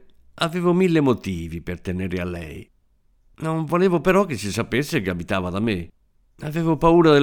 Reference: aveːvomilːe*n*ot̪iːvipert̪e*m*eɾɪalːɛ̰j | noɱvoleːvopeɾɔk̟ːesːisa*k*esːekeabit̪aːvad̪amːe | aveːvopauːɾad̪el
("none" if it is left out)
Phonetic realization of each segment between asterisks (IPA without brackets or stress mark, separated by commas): m, n, p